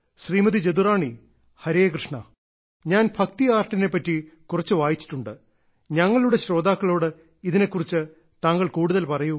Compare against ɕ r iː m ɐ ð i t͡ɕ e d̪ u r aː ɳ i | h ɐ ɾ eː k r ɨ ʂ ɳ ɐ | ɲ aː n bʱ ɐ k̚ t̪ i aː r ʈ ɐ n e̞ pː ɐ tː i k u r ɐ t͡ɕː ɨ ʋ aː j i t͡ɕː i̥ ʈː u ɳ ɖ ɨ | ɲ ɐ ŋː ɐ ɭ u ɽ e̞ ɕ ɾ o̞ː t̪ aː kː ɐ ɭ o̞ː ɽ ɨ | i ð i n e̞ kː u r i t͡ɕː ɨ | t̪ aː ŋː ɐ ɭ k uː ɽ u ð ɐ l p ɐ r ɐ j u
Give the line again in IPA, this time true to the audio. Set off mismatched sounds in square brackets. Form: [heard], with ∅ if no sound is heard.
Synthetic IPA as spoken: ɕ r iː m ɐ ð i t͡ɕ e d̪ u r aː ɳ i | h ɐ ɾ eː k r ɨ ʂ ɳ ɐ | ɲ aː n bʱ ɐ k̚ t̪ i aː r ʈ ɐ n e̞ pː ɐ tː i k u r ɐ t͡ɕː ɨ ʋ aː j i t͡ɕː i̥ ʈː u ɳ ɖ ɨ | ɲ ɐ ŋː ɐ ɭ u ɽ e̞ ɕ ɾ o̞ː [d̪] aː kː ɐ ɭ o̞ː ɽ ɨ | i ð i n e̞ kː u r i t͡ɕː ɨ | t̪ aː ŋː ɐ ɭ k uː ɽ u ð ɐ l p ɐ r ɐ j u